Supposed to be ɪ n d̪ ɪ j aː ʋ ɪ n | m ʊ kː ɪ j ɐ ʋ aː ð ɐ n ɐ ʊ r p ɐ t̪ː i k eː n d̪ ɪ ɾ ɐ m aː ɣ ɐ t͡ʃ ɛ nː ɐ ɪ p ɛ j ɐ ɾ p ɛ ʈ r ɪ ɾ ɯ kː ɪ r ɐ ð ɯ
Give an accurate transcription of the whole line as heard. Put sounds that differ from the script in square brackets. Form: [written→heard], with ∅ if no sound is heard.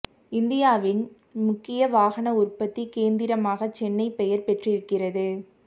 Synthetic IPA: ɪ n d̪ ɪ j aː ʋ ɪ n | m ʊ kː ɪ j ɐ ʋ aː [ð→ɣ] ɐ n ɐ ʊ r p ɐ t̪ː i k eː n d̪ ɪ ɾ ɐ m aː ɣ ɐ t͡ʃ ɛ nː ɐ ɪ p ɛ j ɐ ɾ p ɛ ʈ r ɪ ɾ ɯ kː ɪ r ɐ ð ɯ